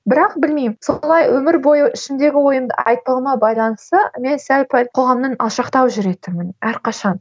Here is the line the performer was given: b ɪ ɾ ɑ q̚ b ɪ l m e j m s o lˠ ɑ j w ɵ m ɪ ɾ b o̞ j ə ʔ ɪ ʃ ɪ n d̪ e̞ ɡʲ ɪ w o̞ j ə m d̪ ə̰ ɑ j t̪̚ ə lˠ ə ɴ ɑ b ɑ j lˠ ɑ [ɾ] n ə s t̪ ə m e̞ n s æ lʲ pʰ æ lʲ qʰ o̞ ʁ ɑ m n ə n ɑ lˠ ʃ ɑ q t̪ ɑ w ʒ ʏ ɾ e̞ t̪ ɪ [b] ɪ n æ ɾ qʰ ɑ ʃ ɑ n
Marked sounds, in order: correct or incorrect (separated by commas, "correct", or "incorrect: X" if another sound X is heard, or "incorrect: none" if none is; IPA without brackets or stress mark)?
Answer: incorrect: none, incorrect: m